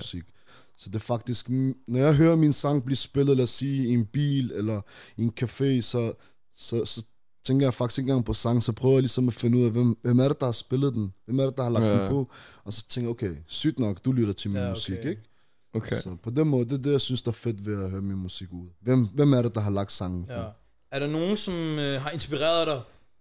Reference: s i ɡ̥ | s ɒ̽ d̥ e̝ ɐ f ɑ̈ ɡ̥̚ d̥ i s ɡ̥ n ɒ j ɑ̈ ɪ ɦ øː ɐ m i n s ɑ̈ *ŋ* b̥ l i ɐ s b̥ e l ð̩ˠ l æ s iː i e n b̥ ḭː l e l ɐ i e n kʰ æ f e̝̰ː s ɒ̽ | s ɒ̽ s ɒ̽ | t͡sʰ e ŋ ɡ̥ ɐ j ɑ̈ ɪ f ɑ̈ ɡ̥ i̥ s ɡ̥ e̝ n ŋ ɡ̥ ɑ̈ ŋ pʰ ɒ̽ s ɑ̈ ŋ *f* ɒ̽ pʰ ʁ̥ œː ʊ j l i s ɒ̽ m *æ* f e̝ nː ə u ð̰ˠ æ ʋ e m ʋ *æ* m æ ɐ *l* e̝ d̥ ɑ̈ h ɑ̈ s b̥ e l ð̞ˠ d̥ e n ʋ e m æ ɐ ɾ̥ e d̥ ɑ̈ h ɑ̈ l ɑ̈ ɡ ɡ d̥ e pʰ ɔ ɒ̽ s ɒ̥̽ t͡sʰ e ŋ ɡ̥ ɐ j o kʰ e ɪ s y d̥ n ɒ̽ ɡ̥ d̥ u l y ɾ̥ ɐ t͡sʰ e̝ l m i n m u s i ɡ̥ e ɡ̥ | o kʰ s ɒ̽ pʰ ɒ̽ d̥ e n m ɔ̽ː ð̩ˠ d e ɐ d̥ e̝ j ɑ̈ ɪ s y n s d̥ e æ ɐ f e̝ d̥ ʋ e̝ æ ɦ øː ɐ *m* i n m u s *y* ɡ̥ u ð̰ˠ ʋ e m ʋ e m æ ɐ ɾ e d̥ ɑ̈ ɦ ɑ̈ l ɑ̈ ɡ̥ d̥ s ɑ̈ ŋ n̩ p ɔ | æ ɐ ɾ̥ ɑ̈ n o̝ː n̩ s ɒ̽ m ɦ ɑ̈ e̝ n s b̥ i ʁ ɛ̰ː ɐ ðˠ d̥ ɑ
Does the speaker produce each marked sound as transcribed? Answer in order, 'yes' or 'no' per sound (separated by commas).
yes, no, yes, no, no, yes, no